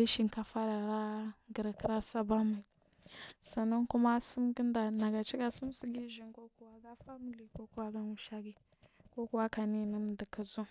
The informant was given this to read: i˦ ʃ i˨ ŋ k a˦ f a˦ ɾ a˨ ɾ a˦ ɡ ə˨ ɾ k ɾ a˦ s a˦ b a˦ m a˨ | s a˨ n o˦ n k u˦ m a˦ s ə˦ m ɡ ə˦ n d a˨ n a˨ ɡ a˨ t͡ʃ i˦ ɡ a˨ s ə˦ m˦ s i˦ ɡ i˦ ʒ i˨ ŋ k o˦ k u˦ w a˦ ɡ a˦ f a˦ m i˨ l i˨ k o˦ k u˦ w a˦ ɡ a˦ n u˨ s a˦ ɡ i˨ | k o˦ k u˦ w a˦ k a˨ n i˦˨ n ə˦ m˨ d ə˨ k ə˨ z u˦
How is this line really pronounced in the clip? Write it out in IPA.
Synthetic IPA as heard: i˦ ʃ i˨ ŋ k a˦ f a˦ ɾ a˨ ɾ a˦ ɡ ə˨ ɾ k ɾ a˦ s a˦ b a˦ m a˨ | s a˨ n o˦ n k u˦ m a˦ s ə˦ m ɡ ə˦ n d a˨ n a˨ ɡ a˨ t͡ʃ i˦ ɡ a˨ s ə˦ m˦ s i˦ ɡ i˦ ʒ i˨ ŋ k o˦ k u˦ w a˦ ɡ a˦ f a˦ m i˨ l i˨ k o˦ k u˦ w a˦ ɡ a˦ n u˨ ʃ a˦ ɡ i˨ | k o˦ k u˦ w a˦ k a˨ n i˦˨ n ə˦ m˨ d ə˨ k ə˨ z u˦